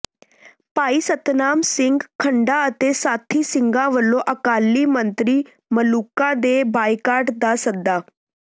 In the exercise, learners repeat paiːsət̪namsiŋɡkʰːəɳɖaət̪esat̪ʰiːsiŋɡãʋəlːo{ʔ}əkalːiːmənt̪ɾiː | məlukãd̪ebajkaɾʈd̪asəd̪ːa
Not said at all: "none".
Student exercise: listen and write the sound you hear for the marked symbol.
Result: ʔ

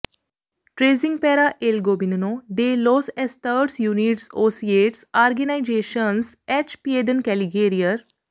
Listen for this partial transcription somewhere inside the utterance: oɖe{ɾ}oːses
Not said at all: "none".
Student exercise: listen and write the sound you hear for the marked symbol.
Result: l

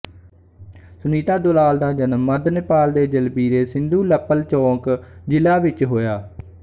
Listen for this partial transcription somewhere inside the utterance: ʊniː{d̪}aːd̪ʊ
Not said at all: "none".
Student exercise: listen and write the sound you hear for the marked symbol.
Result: t̪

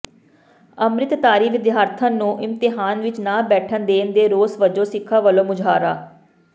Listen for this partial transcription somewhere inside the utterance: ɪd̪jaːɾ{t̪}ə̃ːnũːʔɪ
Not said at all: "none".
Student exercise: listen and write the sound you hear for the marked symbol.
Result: t̪ʰ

